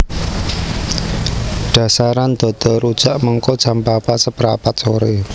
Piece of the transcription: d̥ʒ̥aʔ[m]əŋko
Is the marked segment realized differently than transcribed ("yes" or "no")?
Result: no